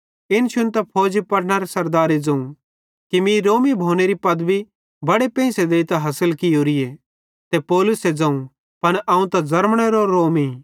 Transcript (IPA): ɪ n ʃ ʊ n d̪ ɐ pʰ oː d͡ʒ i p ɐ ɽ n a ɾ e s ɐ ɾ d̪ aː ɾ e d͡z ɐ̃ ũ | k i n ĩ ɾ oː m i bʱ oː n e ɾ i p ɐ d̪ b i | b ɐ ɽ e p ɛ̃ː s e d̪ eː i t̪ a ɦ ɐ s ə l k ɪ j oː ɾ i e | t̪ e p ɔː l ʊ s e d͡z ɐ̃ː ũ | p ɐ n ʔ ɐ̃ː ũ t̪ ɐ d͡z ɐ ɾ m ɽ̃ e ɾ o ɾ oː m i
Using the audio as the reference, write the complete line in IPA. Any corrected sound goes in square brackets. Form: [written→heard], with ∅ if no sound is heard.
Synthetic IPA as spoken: ɪ n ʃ ʊ n [d̪→t̪] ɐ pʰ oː d͡ʒ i p ɐ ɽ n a ɾ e s ɐ ɾ d̪ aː ɾ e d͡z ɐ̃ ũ | k i [n→m] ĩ ɾ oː m i bʱ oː n e ɾ i p ɐ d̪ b i | b ɐ ɽ e p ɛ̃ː s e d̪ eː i t̪ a ɦ ɐ s ə l k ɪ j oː ɾ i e | t̪ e p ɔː l ʊ s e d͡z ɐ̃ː ũ | p ɐ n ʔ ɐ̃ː ũ t̪ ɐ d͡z ɐ ɾ m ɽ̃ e ɾ o ɾ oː m i